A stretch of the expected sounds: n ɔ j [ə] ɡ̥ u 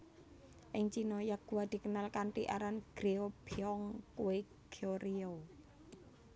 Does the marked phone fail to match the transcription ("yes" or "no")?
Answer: yes